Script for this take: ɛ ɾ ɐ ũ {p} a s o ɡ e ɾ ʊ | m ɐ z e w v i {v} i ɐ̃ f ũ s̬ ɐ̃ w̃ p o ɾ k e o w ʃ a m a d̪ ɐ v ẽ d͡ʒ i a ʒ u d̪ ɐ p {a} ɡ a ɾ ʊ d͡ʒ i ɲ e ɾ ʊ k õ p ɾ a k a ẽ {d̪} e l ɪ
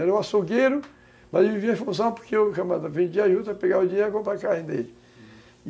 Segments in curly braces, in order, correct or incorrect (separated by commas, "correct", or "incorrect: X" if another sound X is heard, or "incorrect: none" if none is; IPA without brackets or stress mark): incorrect: none, correct, incorrect: e, correct